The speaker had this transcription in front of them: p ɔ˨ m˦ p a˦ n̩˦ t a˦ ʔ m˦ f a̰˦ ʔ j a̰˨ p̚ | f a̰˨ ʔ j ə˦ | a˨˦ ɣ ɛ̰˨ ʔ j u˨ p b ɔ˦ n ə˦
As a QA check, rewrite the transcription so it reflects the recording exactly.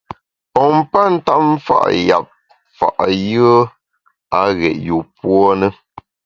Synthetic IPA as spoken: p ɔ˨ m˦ p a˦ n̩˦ t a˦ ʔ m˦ f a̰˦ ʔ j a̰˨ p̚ | f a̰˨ ʔ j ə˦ | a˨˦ ɣ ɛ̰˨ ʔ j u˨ p w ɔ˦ n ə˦